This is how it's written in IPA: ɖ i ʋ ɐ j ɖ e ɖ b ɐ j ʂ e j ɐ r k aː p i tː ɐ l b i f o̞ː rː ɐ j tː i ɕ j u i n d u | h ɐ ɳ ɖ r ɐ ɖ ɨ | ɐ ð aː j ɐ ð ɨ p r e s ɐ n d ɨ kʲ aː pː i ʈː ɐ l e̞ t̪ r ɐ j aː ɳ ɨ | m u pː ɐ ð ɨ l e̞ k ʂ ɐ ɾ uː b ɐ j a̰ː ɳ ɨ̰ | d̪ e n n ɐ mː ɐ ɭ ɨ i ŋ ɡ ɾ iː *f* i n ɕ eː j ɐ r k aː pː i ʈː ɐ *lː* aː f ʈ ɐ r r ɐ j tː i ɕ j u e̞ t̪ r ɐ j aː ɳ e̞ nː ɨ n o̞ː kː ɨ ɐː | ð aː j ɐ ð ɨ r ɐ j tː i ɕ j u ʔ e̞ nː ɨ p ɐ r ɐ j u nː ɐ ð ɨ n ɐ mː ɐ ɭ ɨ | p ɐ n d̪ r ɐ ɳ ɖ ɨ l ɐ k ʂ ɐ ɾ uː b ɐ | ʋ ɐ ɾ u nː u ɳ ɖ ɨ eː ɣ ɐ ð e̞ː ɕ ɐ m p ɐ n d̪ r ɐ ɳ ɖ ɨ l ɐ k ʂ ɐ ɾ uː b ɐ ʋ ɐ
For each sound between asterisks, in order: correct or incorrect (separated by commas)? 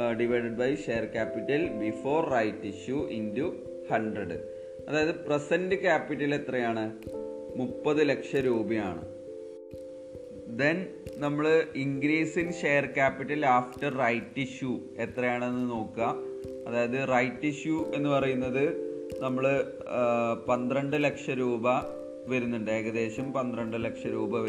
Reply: incorrect, incorrect